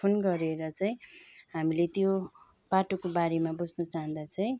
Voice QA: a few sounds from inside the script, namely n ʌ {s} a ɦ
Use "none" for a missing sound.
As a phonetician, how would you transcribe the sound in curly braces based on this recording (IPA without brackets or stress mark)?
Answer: t͡s